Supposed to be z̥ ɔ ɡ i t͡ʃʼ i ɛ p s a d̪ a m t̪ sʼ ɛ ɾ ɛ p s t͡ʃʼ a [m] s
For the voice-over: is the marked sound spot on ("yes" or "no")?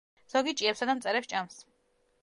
yes